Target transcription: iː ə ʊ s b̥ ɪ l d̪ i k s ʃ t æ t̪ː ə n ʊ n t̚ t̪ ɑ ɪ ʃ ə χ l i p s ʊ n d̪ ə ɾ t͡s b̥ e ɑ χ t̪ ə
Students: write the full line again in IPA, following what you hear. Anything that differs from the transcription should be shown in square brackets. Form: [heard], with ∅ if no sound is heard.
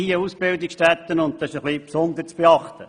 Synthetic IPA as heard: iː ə [u] s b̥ ɪ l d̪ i k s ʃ t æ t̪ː ə n ʊ n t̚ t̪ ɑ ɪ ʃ ə χ l i p s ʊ n d̪ ə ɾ t͡s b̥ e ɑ χ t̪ ə